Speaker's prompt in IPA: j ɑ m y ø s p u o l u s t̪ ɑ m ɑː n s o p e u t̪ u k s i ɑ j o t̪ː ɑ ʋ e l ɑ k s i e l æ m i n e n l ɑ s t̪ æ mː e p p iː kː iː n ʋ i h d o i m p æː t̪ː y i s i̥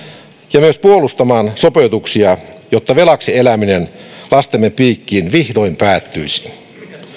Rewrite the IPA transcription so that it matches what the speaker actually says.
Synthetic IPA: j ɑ m y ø s p u o l u s t̪ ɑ m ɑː n s o p e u t̪ u k s i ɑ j o t̪ː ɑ ʋ e l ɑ k s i e l æ m i n e n l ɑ s t̪ e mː e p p iː kː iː n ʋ i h d o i m p æː t̪ː y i s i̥